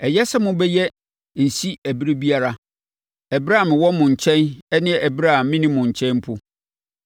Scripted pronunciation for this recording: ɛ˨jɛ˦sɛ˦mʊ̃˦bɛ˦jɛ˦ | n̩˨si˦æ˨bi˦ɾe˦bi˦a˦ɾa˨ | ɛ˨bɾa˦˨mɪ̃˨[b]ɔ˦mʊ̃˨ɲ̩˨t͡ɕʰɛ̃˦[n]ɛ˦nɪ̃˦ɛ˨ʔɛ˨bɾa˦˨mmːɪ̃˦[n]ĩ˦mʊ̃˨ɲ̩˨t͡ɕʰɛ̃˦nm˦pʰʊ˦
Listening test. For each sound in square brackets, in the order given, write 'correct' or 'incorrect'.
incorrect, correct, correct

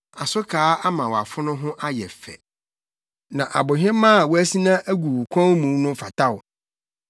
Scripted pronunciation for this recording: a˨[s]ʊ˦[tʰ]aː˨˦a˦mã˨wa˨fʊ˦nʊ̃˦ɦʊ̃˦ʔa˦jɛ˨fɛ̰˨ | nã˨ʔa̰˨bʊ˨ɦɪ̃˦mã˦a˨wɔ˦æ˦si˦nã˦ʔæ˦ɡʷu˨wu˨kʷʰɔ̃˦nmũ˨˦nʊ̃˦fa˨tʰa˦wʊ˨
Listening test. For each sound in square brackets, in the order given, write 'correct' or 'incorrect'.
correct, incorrect

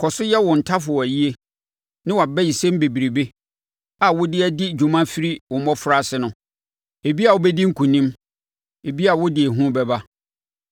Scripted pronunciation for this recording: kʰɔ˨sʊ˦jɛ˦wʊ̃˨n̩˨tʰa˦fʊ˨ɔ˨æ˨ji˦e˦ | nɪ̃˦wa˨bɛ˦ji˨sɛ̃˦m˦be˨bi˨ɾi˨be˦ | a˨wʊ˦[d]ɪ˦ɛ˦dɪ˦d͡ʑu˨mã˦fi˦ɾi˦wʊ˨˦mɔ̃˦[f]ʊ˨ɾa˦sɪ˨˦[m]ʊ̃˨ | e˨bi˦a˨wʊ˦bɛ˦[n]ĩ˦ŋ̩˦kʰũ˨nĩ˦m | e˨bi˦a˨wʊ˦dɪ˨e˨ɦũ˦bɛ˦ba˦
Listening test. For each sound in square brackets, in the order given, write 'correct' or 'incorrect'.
correct, correct, incorrect, incorrect

